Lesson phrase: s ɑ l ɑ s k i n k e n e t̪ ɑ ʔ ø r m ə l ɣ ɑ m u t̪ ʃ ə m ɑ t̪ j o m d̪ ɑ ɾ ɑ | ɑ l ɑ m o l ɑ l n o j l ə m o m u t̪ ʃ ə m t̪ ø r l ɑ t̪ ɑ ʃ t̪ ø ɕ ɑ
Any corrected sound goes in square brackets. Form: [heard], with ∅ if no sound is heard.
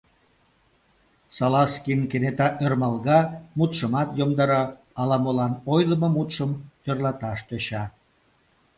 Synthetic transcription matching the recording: s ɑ l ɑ s k i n k e n e t̪ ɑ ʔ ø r m [ɑ] l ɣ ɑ m u t̪ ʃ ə m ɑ t̪ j o m d̪ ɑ ɾ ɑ | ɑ l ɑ m o l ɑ [∅] n o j l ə m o m u t̪ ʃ ə m t̪ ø r l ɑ t̪ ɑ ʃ t̪ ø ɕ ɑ